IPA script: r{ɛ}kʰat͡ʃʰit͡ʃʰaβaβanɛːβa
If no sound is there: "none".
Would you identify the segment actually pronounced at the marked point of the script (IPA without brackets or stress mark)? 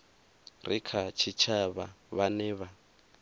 i